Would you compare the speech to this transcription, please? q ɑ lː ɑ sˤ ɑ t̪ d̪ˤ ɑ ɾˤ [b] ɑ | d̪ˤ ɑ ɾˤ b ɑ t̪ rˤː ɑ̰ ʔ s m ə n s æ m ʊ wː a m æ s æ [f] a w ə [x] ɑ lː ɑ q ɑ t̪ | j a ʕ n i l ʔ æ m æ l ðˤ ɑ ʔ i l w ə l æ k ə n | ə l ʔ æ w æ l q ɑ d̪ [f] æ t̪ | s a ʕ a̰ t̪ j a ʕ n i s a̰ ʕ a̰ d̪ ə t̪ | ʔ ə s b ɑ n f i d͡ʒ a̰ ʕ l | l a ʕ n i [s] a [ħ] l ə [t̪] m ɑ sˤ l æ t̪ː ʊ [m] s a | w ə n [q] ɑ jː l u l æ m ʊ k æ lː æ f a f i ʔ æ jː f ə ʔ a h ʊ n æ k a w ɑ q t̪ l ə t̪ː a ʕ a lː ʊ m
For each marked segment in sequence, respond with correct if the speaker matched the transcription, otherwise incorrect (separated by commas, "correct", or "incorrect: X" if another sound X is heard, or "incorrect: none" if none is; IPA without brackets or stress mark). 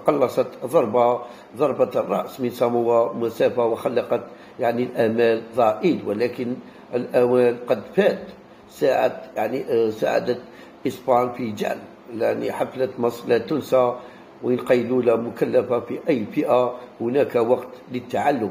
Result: correct, correct, correct, correct, incorrect: ħ, incorrect: f, correct, incorrect: n, correct